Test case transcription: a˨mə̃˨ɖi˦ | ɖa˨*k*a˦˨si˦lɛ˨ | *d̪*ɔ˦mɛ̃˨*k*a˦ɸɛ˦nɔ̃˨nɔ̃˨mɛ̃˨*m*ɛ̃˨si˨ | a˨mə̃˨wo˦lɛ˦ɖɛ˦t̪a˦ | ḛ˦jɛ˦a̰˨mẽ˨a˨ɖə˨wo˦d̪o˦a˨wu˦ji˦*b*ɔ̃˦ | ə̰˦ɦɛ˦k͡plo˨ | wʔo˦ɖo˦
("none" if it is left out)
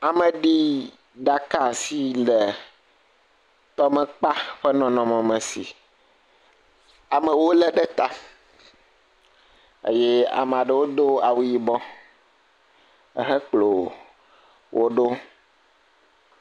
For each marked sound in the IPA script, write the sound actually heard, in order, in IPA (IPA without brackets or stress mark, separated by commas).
k, t̪, k͡p, m, b